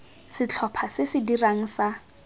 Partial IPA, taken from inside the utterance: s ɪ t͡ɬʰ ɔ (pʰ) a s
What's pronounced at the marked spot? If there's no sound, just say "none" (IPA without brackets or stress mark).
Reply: pʰ